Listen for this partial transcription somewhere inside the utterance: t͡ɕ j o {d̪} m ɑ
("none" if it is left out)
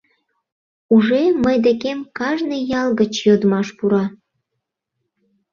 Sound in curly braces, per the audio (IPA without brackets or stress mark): d̪